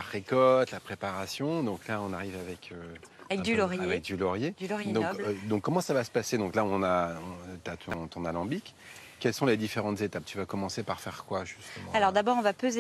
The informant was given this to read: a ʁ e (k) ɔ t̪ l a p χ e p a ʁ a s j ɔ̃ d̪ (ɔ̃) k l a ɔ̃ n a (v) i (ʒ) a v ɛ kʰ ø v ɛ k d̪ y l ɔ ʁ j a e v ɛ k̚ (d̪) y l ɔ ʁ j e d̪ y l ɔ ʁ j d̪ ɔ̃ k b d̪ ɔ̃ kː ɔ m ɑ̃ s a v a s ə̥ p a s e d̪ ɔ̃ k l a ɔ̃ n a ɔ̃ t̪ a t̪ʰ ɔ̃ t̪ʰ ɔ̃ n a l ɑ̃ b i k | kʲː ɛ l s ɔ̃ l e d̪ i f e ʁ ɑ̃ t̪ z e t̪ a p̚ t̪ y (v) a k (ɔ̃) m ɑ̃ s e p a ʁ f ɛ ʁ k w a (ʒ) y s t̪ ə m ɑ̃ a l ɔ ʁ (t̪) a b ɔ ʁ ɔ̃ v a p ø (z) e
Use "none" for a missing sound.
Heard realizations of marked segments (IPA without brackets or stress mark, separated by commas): k, ɔ̃, ʁ, v, d̪, v, ɔ, ʒ, d̪, z